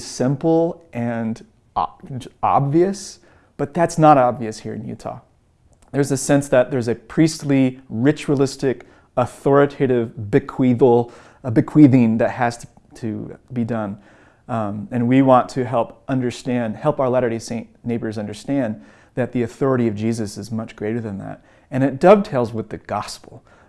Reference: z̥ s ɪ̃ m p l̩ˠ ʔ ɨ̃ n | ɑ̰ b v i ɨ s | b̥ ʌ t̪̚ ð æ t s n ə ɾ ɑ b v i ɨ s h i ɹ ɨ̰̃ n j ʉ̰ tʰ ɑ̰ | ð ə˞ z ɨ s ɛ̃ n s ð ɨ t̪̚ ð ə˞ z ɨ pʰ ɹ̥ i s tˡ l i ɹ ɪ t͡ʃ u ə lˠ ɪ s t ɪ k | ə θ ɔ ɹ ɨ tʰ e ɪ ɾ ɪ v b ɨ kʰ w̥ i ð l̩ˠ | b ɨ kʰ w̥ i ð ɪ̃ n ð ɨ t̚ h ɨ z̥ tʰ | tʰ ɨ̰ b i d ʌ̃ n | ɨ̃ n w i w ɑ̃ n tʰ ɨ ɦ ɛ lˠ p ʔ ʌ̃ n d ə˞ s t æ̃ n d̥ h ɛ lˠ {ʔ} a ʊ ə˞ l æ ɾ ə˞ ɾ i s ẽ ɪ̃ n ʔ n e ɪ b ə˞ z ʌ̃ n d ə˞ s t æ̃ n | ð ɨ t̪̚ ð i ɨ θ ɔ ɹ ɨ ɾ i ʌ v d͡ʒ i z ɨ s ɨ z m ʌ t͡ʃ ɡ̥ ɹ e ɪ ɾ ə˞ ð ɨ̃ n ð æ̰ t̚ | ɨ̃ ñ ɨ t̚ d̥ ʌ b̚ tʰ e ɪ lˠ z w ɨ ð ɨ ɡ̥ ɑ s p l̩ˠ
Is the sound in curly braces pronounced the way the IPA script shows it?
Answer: no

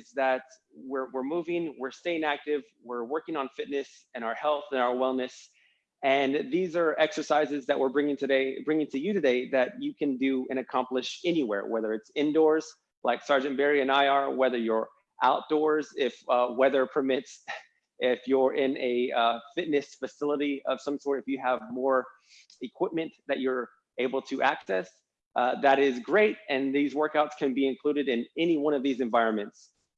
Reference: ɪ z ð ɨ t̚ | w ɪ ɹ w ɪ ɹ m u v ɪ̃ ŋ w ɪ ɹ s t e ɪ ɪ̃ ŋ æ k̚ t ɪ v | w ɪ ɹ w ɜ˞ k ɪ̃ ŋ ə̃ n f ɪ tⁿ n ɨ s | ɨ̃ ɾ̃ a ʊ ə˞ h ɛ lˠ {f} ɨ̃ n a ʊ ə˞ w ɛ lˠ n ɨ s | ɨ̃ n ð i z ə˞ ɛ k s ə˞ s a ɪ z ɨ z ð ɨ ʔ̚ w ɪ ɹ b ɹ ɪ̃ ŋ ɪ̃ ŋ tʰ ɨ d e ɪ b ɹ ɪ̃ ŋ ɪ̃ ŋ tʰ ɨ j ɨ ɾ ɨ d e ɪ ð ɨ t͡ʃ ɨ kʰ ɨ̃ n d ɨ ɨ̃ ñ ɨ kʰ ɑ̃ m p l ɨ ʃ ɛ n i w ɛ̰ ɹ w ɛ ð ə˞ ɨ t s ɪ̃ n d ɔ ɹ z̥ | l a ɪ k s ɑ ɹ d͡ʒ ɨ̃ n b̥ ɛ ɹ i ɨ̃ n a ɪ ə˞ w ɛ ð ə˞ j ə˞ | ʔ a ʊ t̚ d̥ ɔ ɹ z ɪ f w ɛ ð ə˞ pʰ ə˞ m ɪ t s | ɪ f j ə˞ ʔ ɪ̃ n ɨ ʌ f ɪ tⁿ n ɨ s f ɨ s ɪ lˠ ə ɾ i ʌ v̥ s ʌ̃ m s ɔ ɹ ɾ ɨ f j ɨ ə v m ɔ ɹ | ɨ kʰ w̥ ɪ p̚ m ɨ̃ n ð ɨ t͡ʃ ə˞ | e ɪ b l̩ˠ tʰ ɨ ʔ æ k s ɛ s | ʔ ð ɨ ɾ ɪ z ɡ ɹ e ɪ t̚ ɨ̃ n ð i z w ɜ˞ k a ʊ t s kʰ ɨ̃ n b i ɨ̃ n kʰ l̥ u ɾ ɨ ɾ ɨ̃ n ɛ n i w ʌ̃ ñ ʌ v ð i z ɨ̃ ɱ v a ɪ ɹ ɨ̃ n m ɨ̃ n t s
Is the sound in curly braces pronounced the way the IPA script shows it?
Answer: no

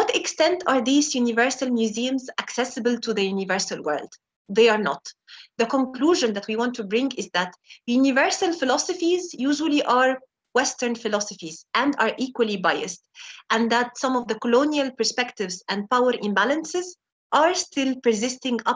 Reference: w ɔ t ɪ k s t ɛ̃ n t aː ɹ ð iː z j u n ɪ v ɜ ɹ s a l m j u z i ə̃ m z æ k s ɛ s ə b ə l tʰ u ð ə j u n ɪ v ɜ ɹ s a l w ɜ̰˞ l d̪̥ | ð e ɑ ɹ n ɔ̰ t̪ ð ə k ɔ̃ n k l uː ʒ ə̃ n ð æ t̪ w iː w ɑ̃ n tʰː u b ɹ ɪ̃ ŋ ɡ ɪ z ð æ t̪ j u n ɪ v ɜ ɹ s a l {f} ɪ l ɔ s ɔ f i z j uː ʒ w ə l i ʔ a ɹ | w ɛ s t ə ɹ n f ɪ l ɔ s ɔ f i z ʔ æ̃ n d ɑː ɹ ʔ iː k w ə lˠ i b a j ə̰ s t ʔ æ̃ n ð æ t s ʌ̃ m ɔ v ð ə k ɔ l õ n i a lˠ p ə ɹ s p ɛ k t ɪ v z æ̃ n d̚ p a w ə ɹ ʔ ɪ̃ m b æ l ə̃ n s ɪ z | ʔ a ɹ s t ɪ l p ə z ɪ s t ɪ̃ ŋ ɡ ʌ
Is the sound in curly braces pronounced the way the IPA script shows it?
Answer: yes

